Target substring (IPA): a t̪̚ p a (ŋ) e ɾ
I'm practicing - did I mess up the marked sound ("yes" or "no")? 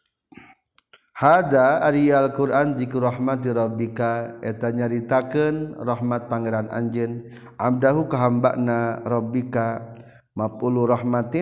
no